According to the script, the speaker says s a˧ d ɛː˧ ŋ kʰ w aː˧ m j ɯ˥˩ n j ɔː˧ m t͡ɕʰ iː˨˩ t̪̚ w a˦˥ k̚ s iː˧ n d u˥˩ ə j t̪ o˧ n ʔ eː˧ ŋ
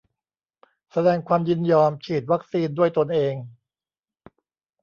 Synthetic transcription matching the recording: s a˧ d ɛː˧ ŋ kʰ w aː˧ m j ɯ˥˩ n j ɔː˧ m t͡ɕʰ iː˨˩ t̪̚ w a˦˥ k̚ s iː˧ n d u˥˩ ə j t̪ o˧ n ʔ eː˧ ŋ